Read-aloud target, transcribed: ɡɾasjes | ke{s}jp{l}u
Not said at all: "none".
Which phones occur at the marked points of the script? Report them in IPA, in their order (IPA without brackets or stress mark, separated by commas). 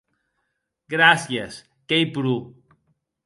none, ɾ